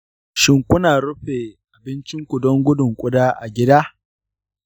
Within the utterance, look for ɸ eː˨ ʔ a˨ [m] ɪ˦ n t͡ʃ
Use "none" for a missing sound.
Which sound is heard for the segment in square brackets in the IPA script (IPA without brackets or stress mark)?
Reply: b